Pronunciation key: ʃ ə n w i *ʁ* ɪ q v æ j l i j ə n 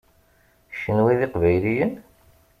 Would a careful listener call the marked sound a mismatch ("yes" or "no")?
yes